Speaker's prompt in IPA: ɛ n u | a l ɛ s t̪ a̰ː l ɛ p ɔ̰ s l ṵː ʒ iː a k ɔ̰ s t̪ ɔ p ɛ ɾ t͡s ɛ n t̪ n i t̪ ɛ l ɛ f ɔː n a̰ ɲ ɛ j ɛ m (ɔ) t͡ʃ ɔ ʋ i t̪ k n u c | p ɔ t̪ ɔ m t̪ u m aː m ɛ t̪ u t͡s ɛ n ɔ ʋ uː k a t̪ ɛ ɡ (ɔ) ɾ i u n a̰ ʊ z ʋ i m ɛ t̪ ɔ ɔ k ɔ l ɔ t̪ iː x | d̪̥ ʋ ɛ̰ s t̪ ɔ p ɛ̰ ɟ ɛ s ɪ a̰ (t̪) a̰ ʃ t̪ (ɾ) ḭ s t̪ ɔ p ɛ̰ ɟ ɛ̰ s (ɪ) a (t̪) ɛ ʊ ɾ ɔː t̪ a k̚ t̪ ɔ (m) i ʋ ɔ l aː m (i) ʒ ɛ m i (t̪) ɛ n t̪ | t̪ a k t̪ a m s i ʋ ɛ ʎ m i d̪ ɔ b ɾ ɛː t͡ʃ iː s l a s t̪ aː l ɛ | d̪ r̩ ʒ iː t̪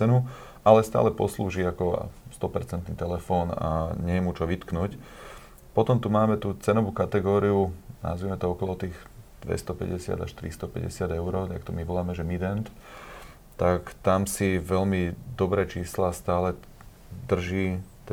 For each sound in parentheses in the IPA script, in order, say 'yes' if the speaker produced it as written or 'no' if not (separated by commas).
no, no, no, yes, yes, no, yes, no, no